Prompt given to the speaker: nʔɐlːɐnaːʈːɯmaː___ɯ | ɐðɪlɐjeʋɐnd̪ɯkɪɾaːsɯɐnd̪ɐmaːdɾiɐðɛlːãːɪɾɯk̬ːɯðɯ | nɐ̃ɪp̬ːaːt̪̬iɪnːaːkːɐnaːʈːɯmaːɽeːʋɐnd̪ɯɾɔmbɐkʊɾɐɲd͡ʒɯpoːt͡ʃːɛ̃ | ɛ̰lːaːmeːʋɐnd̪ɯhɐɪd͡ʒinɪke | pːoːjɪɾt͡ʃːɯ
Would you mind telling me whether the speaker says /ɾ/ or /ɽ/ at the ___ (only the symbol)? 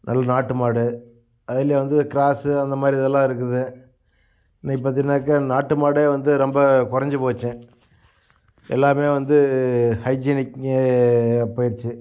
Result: ɽ